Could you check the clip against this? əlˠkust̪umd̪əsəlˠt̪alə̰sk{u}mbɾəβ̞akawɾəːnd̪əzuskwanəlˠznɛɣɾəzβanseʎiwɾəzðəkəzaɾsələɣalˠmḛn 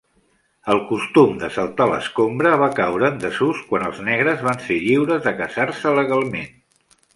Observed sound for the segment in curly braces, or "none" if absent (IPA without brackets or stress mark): o